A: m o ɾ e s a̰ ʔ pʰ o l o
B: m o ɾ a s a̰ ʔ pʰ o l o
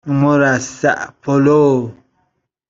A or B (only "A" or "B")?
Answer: B